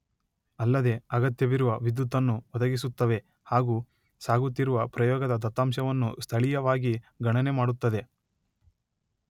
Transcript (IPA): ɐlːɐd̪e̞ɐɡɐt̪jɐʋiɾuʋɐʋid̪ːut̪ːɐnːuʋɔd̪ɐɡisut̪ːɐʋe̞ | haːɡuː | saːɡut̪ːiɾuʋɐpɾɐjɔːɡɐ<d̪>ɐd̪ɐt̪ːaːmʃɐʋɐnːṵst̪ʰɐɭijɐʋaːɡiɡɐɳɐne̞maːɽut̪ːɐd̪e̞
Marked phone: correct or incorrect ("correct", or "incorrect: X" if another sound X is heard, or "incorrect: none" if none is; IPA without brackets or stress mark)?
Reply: correct